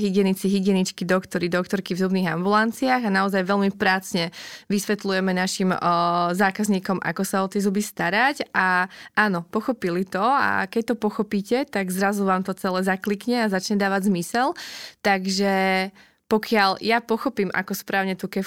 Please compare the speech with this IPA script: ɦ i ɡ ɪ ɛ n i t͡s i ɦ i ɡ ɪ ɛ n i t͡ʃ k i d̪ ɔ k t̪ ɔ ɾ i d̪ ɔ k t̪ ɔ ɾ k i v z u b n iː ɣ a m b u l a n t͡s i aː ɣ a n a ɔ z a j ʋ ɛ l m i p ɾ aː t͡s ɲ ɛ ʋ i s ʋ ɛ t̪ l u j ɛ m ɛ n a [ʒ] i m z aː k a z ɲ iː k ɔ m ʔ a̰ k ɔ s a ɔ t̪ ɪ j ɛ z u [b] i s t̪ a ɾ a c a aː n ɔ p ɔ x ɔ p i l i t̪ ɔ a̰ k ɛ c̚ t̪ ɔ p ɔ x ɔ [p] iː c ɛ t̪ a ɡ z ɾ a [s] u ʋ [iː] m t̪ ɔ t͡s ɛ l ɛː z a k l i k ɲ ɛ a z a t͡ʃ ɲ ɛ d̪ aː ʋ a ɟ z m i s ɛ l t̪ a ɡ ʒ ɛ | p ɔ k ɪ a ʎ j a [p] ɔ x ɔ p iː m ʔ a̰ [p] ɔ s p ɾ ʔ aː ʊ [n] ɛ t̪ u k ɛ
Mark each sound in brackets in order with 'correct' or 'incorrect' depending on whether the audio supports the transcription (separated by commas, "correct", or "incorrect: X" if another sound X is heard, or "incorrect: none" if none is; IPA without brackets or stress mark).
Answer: incorrect: ʃ, correct, correct, incorrect: z, incorrect: aː, correct, incorrect: k, incorrect: ɲ